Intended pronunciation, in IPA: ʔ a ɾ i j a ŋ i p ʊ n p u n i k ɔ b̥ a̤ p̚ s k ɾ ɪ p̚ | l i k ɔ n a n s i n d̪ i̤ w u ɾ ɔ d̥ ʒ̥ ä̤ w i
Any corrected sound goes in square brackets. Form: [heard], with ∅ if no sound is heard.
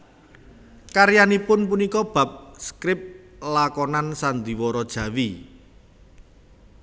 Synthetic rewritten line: [k] a ɾ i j a [n] i p ʊ n p u n i k ɔ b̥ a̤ p̚ s k ɾ ɪ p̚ | l [a] k ɔ n a n s [a] n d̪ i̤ w [ɔ] ɾ ɔ d̥ ʒ̥ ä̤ w i